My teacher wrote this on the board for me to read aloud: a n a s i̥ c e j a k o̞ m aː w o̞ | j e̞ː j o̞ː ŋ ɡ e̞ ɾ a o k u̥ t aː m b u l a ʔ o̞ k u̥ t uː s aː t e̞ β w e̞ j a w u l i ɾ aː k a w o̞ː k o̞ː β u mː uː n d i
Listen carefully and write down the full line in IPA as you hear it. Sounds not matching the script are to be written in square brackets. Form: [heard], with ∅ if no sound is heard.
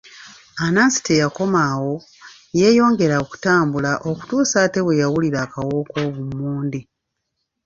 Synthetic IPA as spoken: a n a s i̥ [t] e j a k o̞ m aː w o̞ | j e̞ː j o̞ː ŋ ɡ e̞ ɾ a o k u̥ t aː m b u l a ʔ o̞ k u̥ t uː s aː t e̞ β w e̞ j a w u l i ɾ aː k a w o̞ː k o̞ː β u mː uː n d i